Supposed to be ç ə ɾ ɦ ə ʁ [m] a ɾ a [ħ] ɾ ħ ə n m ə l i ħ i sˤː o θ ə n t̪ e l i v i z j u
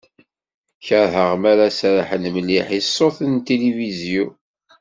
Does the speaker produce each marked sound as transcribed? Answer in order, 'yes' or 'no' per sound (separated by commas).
yes, no